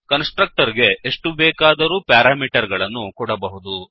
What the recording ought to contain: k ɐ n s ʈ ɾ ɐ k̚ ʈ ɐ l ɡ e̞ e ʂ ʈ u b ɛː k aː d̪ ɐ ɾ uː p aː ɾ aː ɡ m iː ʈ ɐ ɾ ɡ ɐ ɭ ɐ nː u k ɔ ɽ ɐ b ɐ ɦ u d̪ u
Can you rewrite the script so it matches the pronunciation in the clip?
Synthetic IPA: k ɐ n s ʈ ɾ ɐ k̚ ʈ ɐ ɾ ɡ e̞ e ʂ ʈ u b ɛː k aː d̪ ɐ ɾ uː p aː ɾ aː m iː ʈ ɐ ɾ ɡ ɐ ɭ ɐ nː u k ɔ ɽ ɐ b ɐ ɦ u d̪ u